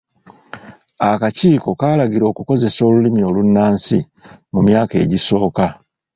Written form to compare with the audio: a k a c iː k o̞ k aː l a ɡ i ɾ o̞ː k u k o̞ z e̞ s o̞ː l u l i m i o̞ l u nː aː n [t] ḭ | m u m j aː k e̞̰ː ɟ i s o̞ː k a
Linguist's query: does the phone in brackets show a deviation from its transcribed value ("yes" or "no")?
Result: yes